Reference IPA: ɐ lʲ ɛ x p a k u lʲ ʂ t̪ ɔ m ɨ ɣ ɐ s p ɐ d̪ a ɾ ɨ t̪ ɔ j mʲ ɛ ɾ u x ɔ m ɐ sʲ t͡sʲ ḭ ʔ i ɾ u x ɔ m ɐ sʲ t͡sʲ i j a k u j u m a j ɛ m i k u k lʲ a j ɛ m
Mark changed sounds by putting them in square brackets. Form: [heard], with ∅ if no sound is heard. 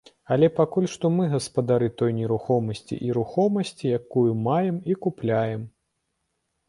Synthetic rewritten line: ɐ lʲ ɛ [∅] p a k u lʲ ʂ t̪ ɔ m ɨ ɣ ɐ s p ɐ d̪ a ɾ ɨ t̪ ɔ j [nʲ] ɛ ɾ u x ɔ m ɐ sʲ t͡sʲ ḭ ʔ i ɾ u x ɔ m ɐ sʲ t͡sʲ i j a k u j u m a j ɛ m i k u [p] lʲ a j ɛ m